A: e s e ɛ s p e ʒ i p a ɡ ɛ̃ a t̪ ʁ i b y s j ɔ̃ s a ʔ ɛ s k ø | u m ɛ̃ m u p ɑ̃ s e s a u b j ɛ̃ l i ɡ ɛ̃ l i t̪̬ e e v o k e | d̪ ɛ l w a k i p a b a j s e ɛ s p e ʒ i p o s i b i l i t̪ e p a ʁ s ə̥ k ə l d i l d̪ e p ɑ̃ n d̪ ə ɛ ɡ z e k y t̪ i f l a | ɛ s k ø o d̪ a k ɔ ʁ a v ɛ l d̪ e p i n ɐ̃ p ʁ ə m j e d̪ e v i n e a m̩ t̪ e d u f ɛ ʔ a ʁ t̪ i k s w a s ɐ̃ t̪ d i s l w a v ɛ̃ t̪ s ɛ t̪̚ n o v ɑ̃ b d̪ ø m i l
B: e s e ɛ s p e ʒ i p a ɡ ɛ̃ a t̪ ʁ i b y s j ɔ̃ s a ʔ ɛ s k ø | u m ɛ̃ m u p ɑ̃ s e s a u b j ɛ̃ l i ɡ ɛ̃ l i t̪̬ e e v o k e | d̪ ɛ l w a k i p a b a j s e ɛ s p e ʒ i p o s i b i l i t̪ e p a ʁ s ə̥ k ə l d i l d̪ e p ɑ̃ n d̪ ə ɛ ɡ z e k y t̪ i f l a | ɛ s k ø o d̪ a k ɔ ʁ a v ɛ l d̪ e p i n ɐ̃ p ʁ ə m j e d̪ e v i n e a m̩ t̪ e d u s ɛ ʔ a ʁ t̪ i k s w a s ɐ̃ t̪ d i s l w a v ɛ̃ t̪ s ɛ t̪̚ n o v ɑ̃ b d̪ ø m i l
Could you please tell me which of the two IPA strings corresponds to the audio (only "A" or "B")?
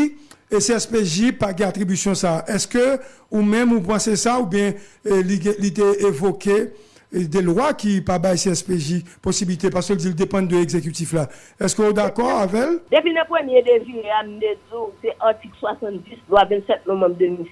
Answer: B